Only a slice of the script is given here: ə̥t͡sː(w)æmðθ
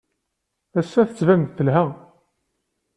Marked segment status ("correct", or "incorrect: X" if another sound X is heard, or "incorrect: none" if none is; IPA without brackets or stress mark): incorrect: v